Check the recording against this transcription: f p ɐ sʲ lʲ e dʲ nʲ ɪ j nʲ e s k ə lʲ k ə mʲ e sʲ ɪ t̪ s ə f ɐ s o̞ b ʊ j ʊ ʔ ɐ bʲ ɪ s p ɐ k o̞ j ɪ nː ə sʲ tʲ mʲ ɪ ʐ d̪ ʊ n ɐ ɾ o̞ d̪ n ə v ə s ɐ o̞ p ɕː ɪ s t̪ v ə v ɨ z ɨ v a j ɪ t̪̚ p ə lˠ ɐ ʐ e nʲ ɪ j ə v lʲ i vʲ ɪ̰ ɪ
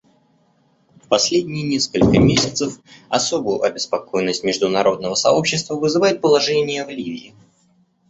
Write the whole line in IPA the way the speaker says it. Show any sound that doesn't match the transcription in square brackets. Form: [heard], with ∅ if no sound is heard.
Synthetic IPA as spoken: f p ɐ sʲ lʲ e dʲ nʲ ɪ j nʲ e s k ə lʲ k ə mʲ e sʲ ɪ t̪ s ə f ɐ s o̞ b ʊ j ʊ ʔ ɐ bʲ ɪ s p ɐ k o̞ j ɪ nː ə sʲ tʲ mʲ ɪ ʐ d̪ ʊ n ɐ ɾ o̞ d̪ n ə v ə s ɐ o̞ p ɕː ɪ s t̪ v ə v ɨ z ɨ v a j ɪ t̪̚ p ə lˠ ɐ ʐ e nʲ ɪ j ə v lʲ i vʲ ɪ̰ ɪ